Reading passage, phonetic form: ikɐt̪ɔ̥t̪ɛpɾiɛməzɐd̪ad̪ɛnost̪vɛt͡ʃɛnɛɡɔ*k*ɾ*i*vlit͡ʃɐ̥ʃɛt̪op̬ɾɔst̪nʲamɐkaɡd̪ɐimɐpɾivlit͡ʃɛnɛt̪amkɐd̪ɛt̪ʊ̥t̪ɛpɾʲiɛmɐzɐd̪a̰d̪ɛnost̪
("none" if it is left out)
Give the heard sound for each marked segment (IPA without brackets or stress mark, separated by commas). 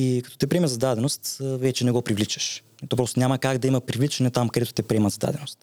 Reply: p, i